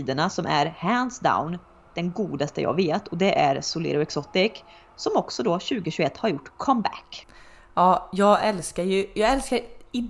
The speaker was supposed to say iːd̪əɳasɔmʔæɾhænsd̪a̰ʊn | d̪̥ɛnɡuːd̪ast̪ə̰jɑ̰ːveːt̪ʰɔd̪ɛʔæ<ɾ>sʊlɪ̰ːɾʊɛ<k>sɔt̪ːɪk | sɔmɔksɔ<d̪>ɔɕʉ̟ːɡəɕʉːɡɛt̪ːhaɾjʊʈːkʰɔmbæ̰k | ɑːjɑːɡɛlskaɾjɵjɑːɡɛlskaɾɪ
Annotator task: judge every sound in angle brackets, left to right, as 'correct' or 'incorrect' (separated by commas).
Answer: correct, correct, correct